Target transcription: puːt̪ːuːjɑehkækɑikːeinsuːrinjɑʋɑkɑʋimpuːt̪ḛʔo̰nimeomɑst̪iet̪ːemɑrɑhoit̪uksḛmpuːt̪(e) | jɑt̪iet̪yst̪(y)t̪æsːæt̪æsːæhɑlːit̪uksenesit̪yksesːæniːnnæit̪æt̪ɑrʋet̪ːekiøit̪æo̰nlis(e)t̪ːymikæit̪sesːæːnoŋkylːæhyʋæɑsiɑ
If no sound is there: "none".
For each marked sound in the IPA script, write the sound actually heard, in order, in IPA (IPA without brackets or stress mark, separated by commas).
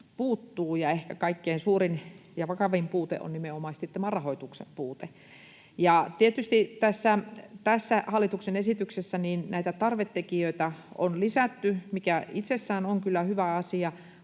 e, i, æ